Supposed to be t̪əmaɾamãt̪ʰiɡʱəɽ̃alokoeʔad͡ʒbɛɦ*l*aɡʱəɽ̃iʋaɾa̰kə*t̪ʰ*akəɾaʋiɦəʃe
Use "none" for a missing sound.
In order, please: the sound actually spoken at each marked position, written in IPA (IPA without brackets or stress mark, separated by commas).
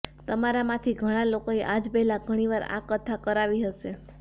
l, t̪ʰ